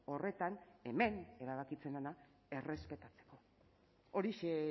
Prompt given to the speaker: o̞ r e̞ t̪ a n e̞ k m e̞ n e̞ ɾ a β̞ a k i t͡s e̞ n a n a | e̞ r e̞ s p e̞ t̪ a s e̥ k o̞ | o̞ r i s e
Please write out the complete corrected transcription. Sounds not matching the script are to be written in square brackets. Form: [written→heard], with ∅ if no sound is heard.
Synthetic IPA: o̞ r e̞ t̪ a n e̞ [k→∅] m e̞ n e̞ ɾ a β̞ a k i t͡s e̞ n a n a | e̞ r e̞ s p e̞ t̪ a [s→t͡s] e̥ k o̞ | o̞ [r→ɾ] i [s→ʃ] e